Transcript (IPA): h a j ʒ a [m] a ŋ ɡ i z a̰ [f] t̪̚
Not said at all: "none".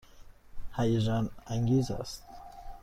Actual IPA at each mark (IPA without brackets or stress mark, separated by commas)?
n, s